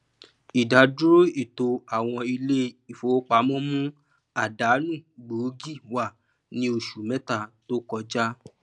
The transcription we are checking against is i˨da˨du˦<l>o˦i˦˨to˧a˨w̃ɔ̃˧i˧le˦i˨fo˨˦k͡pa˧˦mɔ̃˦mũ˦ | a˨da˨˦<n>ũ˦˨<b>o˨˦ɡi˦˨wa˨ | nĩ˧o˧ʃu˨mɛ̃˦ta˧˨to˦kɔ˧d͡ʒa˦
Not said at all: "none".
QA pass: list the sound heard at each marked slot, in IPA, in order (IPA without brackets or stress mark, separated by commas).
ɾ, n, ɡ͡b